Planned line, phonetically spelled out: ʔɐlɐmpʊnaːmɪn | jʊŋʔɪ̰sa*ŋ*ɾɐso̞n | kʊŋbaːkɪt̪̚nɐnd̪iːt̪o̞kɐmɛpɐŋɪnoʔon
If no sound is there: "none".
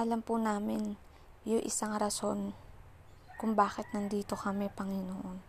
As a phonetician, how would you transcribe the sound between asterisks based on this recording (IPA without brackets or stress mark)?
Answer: ŋ